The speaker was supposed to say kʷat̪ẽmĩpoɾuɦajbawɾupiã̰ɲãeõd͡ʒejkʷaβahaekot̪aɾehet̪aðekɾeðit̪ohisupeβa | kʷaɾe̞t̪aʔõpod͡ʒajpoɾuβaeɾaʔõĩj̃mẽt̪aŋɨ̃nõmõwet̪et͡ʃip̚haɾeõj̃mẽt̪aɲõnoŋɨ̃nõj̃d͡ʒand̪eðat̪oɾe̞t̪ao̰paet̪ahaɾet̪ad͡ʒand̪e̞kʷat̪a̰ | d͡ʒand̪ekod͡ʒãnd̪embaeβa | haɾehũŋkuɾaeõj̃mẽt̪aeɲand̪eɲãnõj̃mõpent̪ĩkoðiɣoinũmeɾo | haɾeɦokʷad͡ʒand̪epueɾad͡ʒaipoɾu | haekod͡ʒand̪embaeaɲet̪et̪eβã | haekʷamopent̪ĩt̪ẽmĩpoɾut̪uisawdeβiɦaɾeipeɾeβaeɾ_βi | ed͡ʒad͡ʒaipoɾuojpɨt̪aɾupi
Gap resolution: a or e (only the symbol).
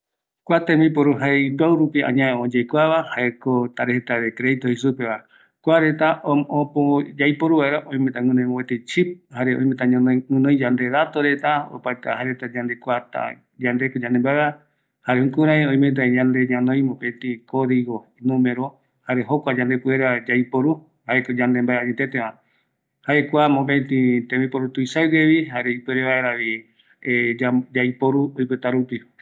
a